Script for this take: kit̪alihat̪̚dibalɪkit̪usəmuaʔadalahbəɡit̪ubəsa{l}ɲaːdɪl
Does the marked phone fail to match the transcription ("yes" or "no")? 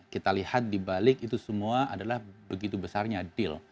yes